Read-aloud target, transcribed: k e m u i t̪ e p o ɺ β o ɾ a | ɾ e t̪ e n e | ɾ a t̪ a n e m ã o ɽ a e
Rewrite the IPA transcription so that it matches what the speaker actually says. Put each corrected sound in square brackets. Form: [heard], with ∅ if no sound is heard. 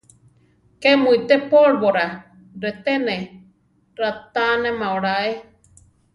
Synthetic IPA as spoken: k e m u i t̪ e p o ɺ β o ɾ a | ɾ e t̪ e n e | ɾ a t̪ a n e m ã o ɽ a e